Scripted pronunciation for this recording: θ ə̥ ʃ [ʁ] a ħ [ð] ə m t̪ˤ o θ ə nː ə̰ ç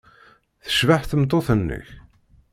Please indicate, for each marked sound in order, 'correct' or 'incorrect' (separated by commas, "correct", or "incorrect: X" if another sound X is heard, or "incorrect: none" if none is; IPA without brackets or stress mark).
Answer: incorrect: v, incorrect: θ